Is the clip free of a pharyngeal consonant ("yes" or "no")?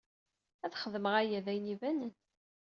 yes